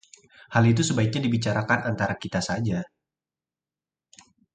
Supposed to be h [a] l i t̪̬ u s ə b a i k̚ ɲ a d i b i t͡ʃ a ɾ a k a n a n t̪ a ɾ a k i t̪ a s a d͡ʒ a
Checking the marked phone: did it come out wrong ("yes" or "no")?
no